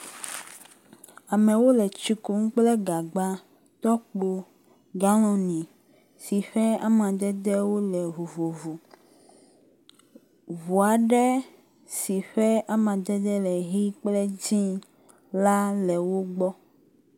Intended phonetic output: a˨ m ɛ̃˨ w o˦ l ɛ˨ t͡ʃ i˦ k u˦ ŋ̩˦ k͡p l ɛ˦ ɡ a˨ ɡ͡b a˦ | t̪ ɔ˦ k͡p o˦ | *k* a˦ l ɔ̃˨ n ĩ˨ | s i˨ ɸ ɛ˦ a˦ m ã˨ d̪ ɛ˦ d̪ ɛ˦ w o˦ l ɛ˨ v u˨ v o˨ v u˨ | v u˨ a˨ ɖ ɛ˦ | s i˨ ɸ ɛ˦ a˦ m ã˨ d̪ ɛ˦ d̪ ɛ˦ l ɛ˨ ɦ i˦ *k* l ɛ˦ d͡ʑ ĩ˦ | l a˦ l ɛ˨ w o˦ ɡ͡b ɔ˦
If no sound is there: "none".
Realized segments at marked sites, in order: ɡ, k͡p

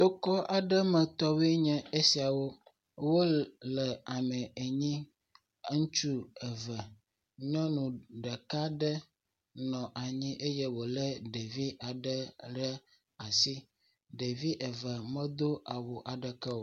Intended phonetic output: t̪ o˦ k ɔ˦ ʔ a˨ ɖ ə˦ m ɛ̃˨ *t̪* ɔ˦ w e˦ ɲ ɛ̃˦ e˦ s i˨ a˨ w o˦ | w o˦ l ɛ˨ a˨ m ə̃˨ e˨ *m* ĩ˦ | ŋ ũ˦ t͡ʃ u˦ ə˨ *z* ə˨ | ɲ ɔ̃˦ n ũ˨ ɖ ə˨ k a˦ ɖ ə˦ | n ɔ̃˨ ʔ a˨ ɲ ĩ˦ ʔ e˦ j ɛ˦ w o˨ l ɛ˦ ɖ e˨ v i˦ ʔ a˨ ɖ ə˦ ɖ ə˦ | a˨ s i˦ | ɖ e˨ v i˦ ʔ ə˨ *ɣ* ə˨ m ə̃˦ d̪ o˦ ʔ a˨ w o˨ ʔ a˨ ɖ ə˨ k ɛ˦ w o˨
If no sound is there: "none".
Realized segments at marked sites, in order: t̪, ɲ, v, v

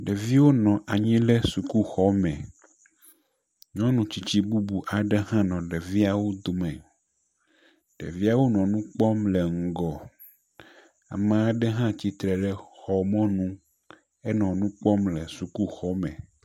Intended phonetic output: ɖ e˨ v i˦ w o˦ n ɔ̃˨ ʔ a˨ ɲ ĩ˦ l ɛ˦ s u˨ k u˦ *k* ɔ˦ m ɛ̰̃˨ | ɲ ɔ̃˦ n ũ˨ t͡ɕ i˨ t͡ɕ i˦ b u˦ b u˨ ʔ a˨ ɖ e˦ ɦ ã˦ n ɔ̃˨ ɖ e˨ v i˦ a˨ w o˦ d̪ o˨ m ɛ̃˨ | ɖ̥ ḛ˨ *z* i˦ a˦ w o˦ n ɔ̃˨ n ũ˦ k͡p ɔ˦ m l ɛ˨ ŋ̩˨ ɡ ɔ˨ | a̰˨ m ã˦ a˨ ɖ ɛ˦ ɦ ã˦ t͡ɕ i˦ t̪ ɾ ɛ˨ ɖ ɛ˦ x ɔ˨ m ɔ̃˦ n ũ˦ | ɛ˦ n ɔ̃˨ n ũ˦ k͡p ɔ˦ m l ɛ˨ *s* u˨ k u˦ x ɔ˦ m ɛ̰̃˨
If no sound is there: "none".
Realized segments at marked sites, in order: x, v, s

